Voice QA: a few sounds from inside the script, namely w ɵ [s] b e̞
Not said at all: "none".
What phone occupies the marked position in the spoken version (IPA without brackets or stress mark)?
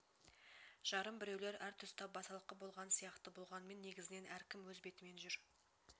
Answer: z